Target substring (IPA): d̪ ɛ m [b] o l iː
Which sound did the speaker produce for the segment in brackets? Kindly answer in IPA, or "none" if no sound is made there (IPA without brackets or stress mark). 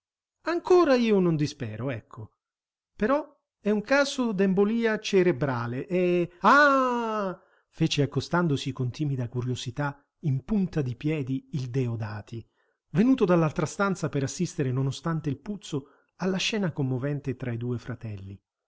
b